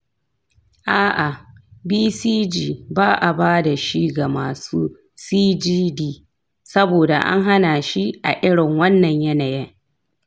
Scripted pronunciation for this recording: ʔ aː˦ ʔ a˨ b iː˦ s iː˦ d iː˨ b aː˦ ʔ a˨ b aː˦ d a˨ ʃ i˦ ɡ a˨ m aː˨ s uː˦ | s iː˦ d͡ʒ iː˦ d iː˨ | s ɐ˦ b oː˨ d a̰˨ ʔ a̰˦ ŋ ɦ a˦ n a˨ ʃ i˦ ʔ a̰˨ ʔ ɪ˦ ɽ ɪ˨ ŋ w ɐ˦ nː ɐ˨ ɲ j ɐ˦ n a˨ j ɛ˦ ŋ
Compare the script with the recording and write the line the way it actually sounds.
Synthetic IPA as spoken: ʔ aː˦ ʔ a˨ b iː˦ s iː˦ d͡ʒ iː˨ b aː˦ ʔ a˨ b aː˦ d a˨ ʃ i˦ ɡ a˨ m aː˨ s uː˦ | s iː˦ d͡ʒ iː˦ d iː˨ | s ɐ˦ b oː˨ d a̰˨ ʔ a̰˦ ŋ ɦ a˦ n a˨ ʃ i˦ ʔ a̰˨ ʔ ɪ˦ ɽ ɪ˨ ŋ w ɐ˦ nː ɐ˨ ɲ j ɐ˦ n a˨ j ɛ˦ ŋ